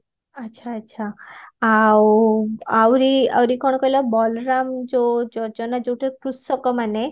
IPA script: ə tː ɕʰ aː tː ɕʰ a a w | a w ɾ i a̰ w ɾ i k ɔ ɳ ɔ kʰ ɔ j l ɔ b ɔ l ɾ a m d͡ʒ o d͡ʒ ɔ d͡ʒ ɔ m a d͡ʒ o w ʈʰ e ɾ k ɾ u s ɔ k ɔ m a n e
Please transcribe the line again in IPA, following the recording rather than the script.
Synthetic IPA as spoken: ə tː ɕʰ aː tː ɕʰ a a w | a w ɾ i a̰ w ɾ i k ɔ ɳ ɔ k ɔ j l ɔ b ɔ l ɾ a m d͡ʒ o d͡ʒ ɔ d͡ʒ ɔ n a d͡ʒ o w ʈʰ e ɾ k ɾ u s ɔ k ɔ m a n e